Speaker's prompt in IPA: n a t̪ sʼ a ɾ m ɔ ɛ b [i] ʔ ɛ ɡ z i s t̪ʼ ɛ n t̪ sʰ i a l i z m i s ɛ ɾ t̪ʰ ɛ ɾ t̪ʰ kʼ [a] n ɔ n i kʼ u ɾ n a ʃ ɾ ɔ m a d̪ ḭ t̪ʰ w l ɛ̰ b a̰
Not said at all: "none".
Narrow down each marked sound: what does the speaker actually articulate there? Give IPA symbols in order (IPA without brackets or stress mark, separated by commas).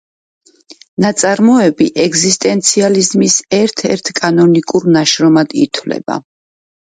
i, a